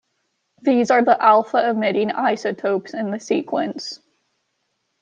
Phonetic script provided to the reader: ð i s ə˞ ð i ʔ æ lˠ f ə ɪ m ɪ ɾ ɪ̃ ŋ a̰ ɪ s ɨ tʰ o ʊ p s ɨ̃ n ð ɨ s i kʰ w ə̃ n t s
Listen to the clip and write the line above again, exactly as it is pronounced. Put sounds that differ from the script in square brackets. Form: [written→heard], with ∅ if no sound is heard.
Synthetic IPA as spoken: ð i [s→z] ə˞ ð i ʔ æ lˠ f ə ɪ m ɪ ɾ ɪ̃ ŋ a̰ ɪ s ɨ tʰ o ʊ p s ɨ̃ n ð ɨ s i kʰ w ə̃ n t s